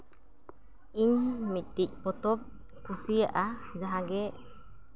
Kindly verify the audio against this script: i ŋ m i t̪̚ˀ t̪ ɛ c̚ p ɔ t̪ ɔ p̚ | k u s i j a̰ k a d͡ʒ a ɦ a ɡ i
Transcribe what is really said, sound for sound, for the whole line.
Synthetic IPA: i ɲ m i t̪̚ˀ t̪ i c̚ p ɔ t̪ ɔ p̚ | k u s i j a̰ ʔ a d͡ʒ a ɦ a ɡ ɛ